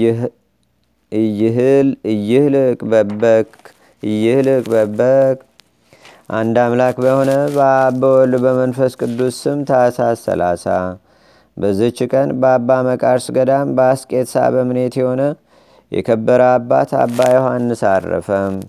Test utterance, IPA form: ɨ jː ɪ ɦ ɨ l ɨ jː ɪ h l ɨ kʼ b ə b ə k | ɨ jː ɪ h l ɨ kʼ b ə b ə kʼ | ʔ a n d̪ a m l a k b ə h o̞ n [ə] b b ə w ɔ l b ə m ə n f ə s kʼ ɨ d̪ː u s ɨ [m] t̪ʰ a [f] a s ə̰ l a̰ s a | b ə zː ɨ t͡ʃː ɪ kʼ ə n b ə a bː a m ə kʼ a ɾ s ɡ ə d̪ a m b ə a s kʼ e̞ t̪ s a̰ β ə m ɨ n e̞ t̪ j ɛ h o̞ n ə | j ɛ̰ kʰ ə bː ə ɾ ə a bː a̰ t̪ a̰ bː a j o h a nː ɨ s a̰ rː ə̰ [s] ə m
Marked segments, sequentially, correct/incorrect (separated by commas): correct, correct, incorrect, incorrect